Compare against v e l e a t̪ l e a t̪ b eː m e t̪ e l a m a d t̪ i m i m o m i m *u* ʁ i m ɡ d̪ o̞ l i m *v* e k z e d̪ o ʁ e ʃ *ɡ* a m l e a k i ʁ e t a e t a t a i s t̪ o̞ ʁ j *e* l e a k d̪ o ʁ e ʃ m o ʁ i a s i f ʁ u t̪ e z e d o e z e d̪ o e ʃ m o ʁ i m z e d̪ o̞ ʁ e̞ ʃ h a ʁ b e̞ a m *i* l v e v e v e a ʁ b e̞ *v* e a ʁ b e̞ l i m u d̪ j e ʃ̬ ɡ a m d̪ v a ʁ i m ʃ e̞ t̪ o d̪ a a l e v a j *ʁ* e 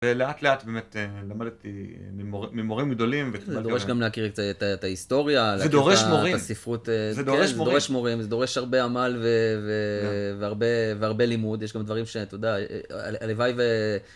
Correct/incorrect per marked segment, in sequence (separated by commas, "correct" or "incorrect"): incorrect, correct, correct, incorrect, incorrect, correct, incorrect